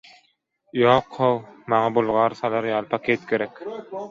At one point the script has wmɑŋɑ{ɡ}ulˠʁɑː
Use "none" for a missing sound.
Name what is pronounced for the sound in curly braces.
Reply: b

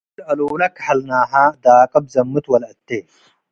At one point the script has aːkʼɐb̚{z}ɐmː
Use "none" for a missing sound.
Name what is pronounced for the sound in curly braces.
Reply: z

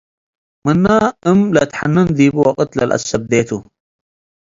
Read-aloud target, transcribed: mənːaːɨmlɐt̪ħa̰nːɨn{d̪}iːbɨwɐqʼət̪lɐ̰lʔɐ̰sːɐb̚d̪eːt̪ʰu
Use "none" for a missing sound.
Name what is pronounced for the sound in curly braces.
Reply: d̪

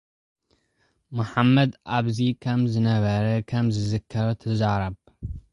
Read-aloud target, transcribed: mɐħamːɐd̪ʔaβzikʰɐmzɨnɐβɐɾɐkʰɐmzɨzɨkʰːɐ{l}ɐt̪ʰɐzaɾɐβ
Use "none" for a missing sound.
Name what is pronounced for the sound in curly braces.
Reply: ɾ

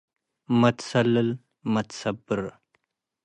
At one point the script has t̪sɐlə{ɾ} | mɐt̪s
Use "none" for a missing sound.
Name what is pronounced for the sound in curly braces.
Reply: l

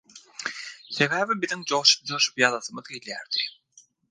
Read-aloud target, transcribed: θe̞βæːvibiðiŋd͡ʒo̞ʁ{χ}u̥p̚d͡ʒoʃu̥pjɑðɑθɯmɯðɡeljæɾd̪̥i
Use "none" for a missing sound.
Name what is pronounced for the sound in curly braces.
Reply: ʃ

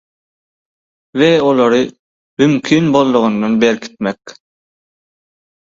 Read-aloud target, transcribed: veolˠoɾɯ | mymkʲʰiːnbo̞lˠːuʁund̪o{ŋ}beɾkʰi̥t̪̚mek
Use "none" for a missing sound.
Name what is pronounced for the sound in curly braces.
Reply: n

